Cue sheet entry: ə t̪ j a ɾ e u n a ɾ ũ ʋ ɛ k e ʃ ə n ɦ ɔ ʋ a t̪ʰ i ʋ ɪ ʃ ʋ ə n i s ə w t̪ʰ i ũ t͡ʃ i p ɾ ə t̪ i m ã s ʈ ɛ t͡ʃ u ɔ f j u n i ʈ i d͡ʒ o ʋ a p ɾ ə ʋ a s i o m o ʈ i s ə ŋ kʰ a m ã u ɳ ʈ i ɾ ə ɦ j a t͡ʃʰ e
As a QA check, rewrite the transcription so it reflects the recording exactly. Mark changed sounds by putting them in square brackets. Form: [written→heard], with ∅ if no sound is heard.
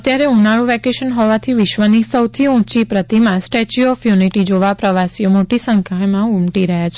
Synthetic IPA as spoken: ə t̪ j a ɾ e u n a [ɾ→ɭ] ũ ʋ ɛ k e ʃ ə n ɦ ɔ ʋ a t̪ʰ i ʋ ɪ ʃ ʋ ə n i s ə w t̪ʰ i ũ t͡ʃ i p ɾ ə t̪ i m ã s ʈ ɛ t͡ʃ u ɔ f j u n i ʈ i d͡ʒ o ʋ a p ɾ ə ʋ a s i o m o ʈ i s ə ŋ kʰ a m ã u [ɳ→m] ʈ i ɾ ə ɦ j a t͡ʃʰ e